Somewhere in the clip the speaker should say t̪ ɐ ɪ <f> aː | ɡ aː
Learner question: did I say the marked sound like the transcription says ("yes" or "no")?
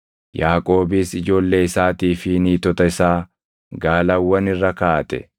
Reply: no